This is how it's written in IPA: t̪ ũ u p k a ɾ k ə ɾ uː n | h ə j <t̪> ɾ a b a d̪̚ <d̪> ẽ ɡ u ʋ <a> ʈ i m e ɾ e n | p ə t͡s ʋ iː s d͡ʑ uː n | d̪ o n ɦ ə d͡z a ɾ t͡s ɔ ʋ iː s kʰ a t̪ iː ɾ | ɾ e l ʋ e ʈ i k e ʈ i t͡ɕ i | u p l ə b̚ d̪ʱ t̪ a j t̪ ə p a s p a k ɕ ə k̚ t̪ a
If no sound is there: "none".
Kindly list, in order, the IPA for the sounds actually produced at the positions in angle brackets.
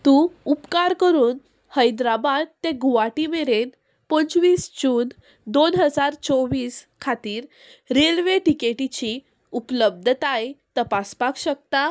d̪, t̪, a

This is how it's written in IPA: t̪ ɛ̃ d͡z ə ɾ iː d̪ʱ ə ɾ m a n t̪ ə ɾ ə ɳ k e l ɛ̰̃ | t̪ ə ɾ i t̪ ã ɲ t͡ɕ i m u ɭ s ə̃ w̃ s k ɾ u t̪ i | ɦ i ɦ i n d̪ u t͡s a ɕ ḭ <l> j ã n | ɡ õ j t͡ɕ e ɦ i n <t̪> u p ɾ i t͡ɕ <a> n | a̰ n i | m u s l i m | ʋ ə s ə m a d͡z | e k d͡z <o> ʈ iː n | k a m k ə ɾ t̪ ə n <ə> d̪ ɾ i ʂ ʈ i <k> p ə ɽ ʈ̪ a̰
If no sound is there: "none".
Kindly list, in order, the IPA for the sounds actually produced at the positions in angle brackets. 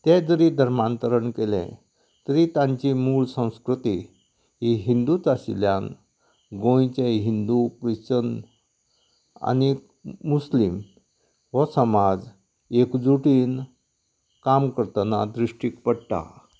l, d̪, ə, u, a, k

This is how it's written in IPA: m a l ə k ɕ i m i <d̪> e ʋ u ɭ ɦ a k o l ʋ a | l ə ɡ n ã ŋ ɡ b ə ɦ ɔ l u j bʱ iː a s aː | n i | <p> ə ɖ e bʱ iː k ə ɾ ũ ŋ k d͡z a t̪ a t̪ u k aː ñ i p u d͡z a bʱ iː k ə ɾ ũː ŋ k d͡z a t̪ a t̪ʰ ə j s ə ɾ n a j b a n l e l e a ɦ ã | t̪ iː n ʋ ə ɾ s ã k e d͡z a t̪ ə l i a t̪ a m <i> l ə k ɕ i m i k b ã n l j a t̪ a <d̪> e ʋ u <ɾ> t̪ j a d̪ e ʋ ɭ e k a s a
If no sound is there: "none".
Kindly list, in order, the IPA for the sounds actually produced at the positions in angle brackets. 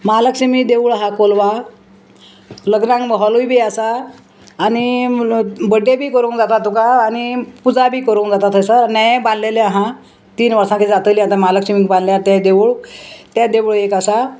d̪, b, a, d̪, ɭ

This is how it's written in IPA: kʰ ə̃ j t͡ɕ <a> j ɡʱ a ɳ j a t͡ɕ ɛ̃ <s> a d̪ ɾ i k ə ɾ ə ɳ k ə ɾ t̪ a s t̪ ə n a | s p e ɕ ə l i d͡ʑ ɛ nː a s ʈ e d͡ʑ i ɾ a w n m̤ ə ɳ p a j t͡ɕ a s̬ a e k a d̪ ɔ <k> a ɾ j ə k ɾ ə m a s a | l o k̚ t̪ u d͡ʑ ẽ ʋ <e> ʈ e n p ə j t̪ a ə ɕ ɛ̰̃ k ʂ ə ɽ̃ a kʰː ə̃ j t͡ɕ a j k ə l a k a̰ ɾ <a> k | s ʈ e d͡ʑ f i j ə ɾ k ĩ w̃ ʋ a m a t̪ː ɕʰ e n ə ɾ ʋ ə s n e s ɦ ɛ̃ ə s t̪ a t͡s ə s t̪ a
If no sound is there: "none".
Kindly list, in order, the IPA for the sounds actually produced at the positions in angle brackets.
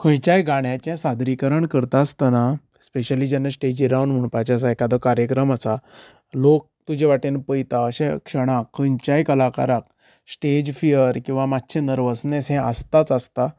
a, s, k, a, a

